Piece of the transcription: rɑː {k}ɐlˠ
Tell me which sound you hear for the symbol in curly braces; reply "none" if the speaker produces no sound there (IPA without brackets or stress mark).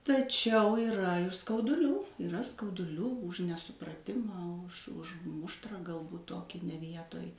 ɡ